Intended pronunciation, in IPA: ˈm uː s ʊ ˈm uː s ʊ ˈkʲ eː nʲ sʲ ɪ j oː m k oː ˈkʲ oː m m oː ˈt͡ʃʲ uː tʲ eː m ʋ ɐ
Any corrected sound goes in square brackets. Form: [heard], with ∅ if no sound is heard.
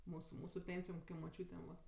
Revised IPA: ˈm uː s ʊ ˈm uː s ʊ [ˈpʲ] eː nʲ sʲ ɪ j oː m k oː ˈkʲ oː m m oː ˈt͡ʃʲ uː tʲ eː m ʋ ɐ